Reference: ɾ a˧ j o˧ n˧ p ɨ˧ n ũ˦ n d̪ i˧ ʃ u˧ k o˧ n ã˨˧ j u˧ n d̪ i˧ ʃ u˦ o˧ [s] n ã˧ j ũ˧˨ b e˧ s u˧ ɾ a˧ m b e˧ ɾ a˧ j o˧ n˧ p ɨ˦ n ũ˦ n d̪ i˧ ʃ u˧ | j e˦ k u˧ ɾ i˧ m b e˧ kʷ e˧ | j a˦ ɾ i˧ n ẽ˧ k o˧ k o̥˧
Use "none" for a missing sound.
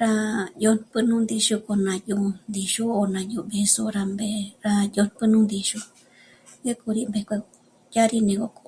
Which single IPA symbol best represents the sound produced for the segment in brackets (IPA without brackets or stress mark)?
none